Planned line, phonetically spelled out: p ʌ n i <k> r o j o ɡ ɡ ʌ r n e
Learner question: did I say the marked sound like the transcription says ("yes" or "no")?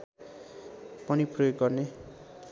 no